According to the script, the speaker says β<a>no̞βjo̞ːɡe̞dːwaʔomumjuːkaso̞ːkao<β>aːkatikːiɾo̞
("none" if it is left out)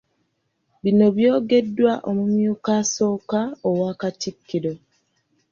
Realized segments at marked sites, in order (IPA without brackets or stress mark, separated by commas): i, w